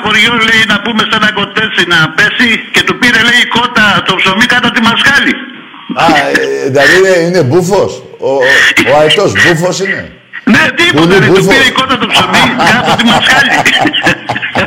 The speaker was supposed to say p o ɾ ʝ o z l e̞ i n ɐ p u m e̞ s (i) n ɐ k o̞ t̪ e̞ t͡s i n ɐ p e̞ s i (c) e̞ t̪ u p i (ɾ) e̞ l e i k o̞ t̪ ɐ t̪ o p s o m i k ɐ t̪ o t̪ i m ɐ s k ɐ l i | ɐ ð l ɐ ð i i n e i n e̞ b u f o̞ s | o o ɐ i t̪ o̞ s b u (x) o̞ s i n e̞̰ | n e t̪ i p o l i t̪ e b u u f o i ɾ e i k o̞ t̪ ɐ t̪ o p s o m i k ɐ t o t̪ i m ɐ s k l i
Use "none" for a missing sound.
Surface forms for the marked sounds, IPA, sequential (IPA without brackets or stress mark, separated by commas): e, c, ɾ, f